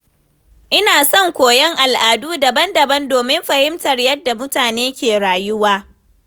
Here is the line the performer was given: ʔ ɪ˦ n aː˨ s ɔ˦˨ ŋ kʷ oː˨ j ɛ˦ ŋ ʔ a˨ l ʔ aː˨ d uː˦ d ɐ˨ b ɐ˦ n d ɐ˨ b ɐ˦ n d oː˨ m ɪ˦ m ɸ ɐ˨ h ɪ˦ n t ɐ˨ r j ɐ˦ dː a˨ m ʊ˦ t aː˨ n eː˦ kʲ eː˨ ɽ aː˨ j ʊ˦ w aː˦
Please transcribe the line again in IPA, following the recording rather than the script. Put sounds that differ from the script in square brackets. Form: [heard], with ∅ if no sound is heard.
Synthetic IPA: ʔ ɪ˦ n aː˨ s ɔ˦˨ ŋ kʷ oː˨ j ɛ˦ ŋ ʔ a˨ l ʔ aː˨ d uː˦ d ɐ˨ b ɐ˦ n d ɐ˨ b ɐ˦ n d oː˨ m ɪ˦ m ɸ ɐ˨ h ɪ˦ [m] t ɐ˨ r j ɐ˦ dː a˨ m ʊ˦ t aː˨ n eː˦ kʲ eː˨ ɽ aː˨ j ʊ˦ w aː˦

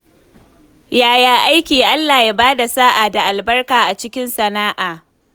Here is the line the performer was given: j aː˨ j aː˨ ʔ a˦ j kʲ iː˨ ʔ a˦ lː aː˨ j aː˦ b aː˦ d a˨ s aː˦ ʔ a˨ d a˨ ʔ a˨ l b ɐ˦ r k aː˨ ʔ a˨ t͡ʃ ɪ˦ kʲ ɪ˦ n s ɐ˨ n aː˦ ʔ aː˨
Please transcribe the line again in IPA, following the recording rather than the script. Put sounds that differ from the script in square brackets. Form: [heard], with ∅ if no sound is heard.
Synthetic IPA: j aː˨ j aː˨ ʔ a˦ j kʲ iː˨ ʔ a˦ lː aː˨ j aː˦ b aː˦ d a˨ s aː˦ ʔ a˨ d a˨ ʔ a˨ l b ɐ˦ r k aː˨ ʔ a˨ t͡ʃ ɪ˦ kʲ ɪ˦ n s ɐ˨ n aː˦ ʔ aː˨

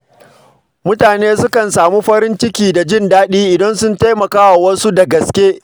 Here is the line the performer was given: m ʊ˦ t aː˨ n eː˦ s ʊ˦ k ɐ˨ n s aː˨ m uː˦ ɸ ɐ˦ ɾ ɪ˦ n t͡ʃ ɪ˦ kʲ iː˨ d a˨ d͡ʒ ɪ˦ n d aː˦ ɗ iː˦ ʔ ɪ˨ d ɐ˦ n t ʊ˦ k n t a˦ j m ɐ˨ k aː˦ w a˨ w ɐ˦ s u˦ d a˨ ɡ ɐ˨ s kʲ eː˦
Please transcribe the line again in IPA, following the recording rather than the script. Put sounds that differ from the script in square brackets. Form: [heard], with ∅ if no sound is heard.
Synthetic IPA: m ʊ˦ t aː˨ n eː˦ s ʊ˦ k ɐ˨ n s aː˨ m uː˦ ɸ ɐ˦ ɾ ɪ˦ n t͡ʃ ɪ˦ kʲ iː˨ d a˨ d͡ʒ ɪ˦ n d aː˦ ɗ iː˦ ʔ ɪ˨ d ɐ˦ n [s] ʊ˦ [∅] n t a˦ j m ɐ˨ k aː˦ w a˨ w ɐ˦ s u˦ d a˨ ɡ ɐ˨ s kʲ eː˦

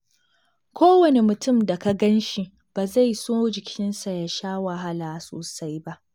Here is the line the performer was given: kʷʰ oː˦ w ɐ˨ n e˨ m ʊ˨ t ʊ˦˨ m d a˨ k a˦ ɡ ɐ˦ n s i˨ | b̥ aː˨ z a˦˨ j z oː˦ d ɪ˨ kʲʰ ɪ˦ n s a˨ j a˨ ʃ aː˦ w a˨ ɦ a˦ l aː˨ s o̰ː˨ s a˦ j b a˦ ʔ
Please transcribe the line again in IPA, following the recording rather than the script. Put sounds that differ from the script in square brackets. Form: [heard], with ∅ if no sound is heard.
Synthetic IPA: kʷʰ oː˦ w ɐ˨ n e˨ m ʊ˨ t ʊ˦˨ m d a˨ k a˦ ɡ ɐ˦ n [ʃ] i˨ | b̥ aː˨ z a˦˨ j [s] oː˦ [d͡ʒ] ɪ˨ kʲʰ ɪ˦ n s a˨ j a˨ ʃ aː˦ w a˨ ɦ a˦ l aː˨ s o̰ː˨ s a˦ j b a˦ ʔ

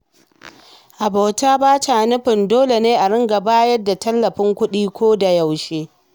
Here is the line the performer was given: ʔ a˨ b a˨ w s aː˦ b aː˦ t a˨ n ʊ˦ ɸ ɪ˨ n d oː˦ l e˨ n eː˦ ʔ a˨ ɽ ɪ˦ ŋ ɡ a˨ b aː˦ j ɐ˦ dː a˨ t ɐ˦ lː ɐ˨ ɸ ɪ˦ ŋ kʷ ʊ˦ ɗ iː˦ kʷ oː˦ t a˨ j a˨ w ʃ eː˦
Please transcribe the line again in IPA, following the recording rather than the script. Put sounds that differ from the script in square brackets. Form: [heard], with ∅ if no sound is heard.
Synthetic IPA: ʔ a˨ b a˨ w [t] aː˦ b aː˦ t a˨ n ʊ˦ ɸ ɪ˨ n d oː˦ l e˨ n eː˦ ʔ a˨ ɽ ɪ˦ ŋ ɡ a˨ b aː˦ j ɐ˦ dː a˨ t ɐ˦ lː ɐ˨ ɸ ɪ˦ ŋ kʷ ʊ˦ ɗ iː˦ kʷ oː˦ [d] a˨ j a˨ w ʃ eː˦

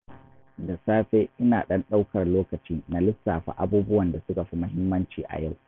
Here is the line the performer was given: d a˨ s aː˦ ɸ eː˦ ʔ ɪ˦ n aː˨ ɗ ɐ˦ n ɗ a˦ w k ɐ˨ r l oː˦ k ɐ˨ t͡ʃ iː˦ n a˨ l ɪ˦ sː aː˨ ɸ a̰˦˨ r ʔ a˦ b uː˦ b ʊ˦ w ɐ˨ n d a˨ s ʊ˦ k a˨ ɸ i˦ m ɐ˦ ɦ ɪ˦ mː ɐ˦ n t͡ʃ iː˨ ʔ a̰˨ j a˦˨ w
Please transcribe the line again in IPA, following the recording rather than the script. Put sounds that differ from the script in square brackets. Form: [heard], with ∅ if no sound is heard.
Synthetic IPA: d a˨ s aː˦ ɸ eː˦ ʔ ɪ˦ n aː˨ ɗ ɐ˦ n ɗ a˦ w k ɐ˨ r l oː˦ k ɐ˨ t͡ʃ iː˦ n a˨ l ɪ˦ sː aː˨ ɸ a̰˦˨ [∅] ʔ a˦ b uː˦ b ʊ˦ w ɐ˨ n d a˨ s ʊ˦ k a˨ ɸ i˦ m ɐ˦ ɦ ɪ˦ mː ɐ˦ n t͡ʃ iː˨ ʔ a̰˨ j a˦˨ w

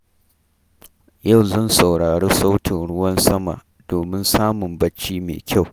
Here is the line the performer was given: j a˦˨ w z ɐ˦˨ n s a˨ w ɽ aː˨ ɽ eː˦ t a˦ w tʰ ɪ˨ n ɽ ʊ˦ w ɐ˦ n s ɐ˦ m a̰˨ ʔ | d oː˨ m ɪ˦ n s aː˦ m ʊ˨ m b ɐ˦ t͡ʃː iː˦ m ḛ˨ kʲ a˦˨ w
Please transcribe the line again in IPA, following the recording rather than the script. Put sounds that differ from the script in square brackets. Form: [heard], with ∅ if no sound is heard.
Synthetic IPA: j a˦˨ w z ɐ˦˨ n s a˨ w ɽ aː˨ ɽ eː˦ [s] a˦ w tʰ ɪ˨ n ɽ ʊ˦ w ɐ˦ n s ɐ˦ m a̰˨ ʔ | d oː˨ m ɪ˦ n s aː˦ m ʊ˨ m b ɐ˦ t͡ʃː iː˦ m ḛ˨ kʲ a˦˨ w

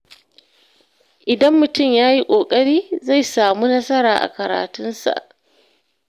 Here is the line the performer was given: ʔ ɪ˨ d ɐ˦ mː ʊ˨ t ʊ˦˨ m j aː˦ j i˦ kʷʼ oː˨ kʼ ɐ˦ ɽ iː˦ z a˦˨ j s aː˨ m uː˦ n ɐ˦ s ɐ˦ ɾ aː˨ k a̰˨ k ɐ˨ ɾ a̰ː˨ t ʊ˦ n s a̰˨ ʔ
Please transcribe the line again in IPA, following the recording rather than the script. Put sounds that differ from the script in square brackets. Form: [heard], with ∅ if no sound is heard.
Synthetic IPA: ʔ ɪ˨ d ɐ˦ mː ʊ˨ t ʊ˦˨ m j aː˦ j i˦ kʷʼ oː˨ kʼ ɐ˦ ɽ iː˦ z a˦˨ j s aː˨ m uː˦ n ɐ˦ s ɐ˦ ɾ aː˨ [ʔ] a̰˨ k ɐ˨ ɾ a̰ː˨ t ʊ˦ n s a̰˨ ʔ

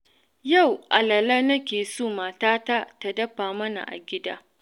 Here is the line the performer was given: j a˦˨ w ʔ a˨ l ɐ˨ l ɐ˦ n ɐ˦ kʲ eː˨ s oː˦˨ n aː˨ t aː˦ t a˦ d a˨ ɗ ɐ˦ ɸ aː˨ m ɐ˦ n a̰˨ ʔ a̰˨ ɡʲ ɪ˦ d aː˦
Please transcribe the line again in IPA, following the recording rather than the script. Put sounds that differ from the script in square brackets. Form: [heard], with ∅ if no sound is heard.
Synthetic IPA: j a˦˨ w ʔ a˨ l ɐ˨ l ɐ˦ n ɐ˦ kʲ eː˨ s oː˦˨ [m] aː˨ t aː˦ t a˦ [t] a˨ [d] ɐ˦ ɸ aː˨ m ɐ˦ n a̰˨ ʔ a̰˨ ɡʲ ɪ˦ d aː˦

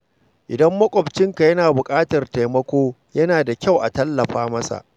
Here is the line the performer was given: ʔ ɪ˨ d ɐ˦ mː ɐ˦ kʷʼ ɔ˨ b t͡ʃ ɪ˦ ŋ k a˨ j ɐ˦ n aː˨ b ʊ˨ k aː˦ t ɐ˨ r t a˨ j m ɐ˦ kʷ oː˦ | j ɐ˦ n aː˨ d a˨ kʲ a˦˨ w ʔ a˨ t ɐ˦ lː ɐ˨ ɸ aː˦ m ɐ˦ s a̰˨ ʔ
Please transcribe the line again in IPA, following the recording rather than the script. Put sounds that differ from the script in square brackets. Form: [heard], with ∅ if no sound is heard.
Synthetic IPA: ʔ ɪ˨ d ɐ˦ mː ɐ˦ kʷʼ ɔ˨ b t͡ʃ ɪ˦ ŋ k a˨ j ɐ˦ n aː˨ b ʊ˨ [kʼ] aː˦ t ɐ˨ r t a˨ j m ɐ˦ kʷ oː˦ | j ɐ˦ n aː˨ d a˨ kʲ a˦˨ w ʔ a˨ t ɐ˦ lː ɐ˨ ɸ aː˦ m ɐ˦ s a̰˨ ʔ

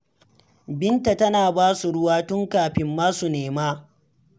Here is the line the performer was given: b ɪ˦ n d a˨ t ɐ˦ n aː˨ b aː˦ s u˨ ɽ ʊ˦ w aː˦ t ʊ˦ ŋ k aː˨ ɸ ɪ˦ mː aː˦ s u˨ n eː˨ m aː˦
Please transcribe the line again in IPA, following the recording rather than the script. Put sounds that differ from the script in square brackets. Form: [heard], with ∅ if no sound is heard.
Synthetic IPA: b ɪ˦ n [t] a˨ t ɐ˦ n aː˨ b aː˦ s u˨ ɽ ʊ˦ w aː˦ t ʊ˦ ŋ k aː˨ ɸ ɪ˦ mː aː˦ s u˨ n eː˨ m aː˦

